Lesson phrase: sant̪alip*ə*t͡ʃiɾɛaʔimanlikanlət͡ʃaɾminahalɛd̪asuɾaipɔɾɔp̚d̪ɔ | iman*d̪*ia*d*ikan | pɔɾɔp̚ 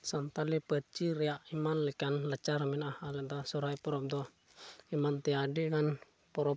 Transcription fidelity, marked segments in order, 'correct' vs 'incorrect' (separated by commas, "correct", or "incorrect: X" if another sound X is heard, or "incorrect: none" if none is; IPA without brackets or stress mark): correct, incorrect: t̪, correct